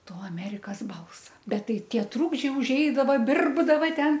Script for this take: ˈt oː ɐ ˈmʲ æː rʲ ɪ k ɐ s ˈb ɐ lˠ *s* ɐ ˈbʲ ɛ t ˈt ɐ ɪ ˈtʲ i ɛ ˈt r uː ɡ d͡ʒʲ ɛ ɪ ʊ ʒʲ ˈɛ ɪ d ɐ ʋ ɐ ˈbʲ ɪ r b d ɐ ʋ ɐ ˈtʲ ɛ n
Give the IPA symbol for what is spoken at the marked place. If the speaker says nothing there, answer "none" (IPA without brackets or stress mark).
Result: s